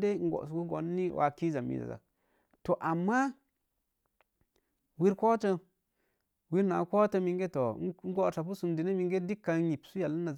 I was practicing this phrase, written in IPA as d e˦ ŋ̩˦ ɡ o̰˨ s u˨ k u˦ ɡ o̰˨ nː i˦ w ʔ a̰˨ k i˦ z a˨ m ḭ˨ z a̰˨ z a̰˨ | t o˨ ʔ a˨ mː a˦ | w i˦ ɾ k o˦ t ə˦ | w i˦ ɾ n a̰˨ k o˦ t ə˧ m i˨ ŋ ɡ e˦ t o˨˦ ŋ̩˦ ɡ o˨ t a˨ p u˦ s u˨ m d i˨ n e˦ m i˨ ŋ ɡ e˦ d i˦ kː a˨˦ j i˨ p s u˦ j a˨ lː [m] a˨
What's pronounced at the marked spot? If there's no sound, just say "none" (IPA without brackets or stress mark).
n